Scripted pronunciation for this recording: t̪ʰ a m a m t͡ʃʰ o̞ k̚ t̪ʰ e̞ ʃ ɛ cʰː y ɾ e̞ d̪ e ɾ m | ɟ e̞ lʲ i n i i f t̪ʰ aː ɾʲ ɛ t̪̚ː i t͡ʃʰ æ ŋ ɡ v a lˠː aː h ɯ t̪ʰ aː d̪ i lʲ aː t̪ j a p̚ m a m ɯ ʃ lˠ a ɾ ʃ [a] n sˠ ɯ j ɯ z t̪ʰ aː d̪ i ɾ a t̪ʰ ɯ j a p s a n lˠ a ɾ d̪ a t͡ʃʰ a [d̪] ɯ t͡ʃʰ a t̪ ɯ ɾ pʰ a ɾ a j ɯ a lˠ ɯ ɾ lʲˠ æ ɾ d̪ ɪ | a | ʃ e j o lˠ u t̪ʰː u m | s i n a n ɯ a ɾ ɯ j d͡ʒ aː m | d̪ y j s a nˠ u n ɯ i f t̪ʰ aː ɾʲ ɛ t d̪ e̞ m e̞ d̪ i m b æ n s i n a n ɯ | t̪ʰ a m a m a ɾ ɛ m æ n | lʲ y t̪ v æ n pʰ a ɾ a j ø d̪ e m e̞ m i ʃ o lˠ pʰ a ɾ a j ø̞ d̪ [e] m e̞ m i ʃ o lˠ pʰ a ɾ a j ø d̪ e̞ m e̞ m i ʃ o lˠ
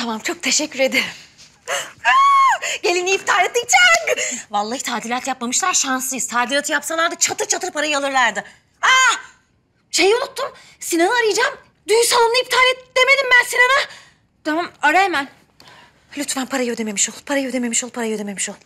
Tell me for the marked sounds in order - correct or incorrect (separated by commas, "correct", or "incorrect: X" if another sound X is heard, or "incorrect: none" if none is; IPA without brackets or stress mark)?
correct, incorrect: t̪, correct